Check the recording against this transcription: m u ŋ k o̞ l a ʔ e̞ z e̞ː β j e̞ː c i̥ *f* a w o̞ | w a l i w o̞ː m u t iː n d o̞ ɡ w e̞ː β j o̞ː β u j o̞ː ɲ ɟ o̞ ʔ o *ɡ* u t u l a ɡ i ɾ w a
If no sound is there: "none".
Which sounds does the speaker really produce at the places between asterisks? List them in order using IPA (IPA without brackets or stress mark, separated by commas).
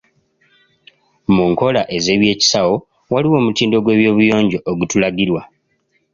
s, ɡ